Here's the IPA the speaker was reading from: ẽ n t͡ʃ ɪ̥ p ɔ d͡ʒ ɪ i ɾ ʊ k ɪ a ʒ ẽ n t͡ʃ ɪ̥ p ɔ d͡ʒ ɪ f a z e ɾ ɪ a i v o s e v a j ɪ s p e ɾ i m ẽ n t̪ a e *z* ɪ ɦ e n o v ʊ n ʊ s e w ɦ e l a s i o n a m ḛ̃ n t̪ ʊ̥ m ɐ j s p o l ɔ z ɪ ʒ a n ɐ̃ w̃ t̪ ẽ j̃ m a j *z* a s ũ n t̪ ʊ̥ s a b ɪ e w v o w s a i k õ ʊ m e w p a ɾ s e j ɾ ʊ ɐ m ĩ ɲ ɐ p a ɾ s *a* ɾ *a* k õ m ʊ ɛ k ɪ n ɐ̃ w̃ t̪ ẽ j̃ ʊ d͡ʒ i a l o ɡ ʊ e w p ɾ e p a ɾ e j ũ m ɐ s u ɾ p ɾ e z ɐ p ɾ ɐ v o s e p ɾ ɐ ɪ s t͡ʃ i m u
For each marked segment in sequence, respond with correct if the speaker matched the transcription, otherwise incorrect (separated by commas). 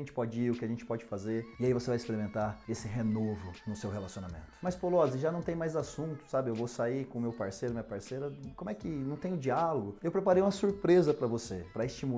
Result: incorrect, correct, incorrect, incorrect